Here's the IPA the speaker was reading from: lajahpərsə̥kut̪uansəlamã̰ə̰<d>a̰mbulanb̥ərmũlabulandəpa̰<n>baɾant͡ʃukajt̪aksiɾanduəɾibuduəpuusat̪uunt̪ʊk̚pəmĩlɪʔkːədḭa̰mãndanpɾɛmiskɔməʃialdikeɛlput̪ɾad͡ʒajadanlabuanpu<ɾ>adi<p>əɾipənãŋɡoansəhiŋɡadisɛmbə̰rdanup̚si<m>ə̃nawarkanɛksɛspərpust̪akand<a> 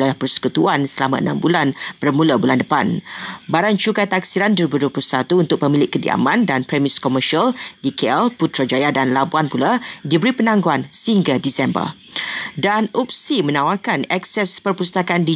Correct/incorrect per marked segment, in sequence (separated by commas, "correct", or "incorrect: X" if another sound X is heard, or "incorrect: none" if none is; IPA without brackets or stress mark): incorrect: n, correct, incorrect: l, incorrect: b, correct, incorrect: i